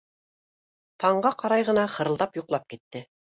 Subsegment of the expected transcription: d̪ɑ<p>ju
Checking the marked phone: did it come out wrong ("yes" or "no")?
no